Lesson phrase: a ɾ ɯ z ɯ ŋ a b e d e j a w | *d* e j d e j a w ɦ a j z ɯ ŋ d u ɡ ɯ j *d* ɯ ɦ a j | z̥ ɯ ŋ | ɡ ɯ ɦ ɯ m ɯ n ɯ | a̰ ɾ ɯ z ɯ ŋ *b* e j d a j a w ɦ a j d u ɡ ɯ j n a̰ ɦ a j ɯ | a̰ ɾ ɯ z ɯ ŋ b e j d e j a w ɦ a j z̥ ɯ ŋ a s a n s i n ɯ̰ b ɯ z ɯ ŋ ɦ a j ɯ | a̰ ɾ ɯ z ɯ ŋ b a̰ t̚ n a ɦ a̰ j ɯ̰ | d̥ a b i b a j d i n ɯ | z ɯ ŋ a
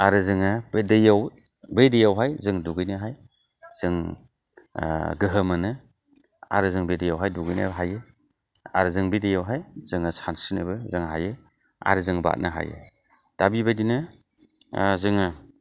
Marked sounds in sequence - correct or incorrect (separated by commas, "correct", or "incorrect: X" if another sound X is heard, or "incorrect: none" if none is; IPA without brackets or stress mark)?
incorrect: b, incorrect: n, correct